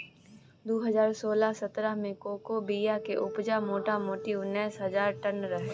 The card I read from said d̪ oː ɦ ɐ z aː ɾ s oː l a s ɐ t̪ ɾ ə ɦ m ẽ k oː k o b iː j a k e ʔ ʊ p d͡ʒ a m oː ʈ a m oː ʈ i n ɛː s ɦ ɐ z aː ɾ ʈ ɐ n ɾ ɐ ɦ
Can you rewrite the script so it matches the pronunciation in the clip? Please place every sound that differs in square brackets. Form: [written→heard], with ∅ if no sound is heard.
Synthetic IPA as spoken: d̪ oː ɦ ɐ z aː ɾ s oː l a s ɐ t̪ ɾ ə ɦ m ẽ k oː k o b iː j a k e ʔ ʊ p d͡ʒ a m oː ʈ a m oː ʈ i n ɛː s ɦ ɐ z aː ɾ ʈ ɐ n ɾ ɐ ɦ